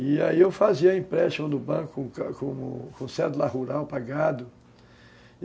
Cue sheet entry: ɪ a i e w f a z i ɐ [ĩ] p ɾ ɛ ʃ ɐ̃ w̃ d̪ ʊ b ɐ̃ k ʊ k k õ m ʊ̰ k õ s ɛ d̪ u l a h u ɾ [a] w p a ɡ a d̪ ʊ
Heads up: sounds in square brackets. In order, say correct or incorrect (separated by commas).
correct, correct